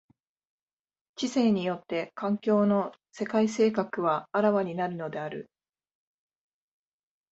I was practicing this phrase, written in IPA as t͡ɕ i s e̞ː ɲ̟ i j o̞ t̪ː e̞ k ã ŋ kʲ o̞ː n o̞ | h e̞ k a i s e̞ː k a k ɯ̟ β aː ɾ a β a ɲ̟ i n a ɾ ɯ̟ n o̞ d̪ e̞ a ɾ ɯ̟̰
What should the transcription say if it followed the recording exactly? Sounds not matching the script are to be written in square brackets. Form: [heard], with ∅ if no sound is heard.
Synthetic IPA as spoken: t͡ɕ i s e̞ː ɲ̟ i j o̞ t̪ː e̞ k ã ŋ kʲ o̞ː n o̞ | [s] e̞ k a i s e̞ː k a k ɯ̟ β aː ɾ a β a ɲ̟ i n a ɾ ɯ̟ n o̞ d̪ e̞ a ɾ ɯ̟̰